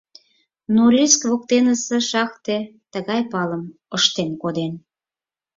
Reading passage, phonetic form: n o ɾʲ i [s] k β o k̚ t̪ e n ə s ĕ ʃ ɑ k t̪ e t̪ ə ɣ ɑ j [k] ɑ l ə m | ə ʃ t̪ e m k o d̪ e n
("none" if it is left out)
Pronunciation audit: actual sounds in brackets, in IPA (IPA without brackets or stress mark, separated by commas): s, p